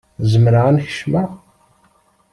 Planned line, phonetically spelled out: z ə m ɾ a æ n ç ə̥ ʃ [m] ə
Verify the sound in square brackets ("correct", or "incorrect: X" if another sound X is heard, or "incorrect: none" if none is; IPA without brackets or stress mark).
correct